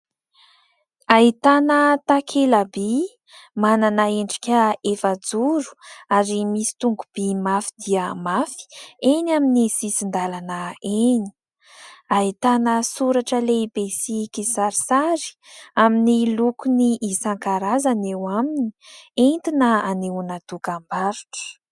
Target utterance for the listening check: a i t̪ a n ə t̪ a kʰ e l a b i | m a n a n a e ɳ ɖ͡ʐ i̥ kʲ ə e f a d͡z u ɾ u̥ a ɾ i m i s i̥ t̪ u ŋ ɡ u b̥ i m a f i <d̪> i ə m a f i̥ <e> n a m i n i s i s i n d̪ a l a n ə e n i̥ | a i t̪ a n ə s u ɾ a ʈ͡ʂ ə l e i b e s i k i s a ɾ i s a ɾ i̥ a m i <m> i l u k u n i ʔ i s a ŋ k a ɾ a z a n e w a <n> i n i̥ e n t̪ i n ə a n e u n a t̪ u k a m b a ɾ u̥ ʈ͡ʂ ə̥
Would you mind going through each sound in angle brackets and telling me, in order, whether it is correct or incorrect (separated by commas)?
correct, correct, incorrect, incorrect